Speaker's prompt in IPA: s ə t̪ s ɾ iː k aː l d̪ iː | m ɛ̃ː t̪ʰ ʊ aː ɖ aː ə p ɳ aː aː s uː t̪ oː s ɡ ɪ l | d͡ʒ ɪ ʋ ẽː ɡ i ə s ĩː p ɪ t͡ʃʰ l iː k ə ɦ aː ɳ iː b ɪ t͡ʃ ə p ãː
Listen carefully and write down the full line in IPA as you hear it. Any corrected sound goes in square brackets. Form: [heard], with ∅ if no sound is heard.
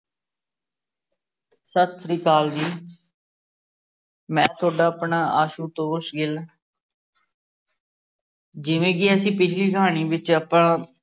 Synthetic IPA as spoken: s ə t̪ s ɾ iː k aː l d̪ iː | m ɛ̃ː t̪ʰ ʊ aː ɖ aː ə p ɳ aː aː [ʃ] uː t̪ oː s ɡ ɪ l | d͡ʒ ɪ ʋ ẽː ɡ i ə s ĩː p ɪ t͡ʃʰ l iː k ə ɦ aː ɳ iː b ɪ t͡ʃ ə p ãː

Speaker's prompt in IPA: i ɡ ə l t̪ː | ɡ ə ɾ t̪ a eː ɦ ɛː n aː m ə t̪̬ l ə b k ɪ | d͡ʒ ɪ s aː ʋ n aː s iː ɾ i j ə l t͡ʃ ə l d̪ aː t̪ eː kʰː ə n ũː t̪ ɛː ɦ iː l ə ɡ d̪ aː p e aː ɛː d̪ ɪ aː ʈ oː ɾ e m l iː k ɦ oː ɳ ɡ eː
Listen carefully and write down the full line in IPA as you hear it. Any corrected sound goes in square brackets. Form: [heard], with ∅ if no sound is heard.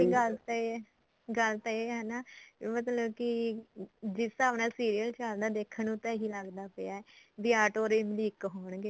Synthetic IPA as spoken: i ɡ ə l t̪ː | ɡ ə [l] t̪ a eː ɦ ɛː n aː m ə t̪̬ l ə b k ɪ | d͡ʒ ɪ s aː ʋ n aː s iː ɾ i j ə l t͡ʃ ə l d̪ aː [d̪] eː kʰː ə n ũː t̪ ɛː ɦ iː l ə ɡ d̪ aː p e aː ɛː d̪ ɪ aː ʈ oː ɾ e m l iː k ɦ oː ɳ ɡ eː

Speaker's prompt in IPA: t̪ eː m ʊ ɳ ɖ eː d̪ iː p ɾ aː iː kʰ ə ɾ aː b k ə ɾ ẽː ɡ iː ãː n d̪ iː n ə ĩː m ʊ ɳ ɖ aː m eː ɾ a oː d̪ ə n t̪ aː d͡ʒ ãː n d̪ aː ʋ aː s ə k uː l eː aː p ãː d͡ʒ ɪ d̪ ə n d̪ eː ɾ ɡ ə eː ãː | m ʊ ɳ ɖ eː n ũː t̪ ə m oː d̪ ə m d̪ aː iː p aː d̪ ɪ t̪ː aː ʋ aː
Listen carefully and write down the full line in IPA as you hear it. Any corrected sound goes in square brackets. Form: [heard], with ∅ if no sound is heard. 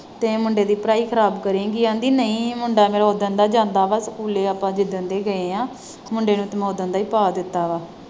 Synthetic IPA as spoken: t̪ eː m ʊ ɳ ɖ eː d̪ iː p ɾ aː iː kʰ ə ɾ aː b k ə ɾ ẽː ɡ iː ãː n d̪ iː n ə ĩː m ʊ ɳ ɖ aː m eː ɾ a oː d̪ ə n [d̪] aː d͡ʒ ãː n d̪ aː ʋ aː s ə k uː l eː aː p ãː d͡ʒ ɪ d̪ ə n d̪ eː [∅] ɡ ə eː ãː | m ʊ ɳ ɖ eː n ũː t̪ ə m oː d̪ ə [n] d̪ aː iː p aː d̪ ɪ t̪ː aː ʋ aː

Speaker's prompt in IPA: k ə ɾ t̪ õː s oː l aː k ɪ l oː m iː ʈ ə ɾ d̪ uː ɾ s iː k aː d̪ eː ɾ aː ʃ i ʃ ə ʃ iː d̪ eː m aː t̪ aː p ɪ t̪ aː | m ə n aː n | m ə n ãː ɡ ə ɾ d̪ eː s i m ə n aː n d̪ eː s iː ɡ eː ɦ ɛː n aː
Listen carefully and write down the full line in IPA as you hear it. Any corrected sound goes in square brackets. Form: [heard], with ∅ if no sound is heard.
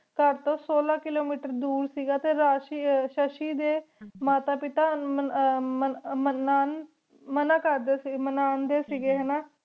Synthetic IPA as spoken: k ə ɾ t̪ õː s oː l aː k ɪ l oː m iː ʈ ə ɾ d̪ uː ɾ s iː [ɡ] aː [t̪] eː ɾ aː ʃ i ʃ ə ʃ iː d̪ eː m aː t̪ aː p ɪ t̪ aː | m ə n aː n | m ə n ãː [k] ə ɾ d̪ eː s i m ə n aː n d̪ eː s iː ɡ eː ɦ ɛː n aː

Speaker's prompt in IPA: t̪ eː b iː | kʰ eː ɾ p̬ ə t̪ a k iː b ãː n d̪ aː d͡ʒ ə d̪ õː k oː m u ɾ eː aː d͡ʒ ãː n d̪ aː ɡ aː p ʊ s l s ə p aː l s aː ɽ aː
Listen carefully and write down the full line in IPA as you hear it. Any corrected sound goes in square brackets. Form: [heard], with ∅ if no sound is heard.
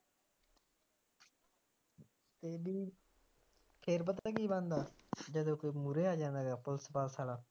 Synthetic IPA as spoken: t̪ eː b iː | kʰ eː ɾ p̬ ə t̪ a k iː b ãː n d̪ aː d͡ʒ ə d̪ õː k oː m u ɾ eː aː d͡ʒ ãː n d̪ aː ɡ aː p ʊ [∅] l s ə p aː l s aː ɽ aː

